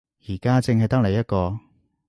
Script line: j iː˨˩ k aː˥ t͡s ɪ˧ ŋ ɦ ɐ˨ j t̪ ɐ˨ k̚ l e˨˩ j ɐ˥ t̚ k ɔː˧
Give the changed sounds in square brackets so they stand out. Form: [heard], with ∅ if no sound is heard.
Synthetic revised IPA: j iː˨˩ k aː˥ t͡s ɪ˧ ŋ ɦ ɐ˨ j t̪ [ɐ˥] k̚ l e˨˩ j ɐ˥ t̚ k ɔː˧